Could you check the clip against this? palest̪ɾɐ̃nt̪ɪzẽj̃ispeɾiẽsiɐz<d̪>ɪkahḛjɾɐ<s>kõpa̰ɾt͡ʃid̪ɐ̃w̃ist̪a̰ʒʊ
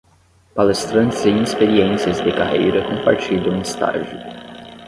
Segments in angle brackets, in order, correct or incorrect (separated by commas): correct, incorrect